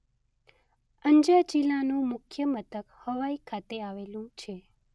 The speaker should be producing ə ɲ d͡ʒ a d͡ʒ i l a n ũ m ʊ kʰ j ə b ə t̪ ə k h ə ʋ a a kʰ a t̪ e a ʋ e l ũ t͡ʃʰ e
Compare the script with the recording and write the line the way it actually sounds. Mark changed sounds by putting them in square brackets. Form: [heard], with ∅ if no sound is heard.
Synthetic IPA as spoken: ə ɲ d͡ʒ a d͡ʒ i l a n ũ m ʊ kʰ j ə [m] ə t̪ ə k h ə ʋ a [i] kʰ a t̪ e a ʋ e l ũ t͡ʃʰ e